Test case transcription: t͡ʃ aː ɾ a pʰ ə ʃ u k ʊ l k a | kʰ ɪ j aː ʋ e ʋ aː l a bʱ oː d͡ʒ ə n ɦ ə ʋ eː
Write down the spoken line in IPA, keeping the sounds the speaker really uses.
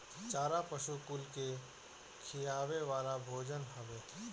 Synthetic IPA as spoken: t͡ʃ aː ɾ a p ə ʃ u k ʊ l k e | kʰ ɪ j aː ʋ e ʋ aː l a bʱ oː d͡ʒ ə n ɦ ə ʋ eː